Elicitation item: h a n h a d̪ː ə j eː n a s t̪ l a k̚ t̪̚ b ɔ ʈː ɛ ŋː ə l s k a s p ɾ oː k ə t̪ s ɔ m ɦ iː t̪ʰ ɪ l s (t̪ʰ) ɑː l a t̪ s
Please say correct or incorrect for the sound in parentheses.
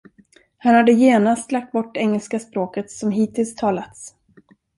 correct